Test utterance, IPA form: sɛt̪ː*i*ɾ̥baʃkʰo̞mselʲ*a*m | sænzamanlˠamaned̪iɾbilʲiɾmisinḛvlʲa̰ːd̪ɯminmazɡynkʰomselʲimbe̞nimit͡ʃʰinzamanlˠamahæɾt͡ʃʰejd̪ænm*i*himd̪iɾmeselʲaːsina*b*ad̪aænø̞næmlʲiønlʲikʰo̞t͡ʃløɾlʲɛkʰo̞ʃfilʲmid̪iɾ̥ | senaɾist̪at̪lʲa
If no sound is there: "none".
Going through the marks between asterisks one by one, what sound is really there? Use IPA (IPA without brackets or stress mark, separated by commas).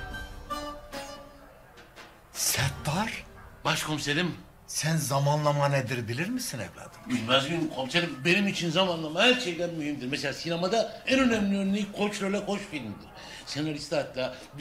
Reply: a, i, y, m